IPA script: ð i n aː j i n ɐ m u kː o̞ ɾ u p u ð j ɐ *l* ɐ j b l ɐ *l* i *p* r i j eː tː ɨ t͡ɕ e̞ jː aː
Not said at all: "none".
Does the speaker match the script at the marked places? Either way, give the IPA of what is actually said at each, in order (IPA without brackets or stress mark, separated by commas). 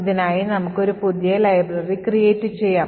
l, r, k